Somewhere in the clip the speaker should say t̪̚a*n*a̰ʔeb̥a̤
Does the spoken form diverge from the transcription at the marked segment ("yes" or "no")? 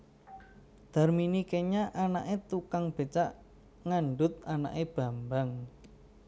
no